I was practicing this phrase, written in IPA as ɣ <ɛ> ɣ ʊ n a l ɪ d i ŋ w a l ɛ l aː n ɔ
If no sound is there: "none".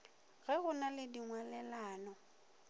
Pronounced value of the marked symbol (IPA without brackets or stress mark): ɛ